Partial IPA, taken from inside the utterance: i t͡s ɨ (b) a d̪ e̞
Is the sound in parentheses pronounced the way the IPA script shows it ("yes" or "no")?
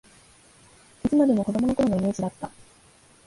no